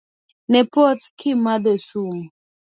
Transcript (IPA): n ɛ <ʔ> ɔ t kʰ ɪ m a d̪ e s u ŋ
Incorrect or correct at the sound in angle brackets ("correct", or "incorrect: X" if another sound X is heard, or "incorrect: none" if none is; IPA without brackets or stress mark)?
incorrect: p